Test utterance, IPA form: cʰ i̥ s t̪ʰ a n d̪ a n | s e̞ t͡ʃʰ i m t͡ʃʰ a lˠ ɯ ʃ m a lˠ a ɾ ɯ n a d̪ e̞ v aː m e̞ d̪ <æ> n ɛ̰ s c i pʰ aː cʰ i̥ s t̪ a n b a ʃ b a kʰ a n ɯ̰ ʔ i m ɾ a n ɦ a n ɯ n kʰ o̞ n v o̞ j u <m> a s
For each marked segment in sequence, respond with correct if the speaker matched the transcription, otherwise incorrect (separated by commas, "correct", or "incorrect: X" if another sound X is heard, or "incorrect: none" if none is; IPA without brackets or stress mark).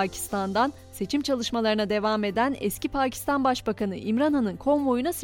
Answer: correct, incorrect: n